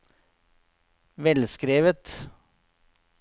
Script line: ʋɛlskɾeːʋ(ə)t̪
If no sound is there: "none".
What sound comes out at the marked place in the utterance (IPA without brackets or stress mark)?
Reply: ə